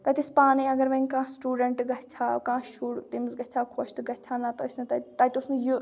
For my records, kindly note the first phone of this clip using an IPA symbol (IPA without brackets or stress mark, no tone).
t̪